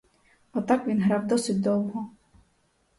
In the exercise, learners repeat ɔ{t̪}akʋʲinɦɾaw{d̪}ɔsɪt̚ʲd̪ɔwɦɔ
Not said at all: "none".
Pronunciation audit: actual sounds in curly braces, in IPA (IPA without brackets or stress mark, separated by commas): t̪, d̪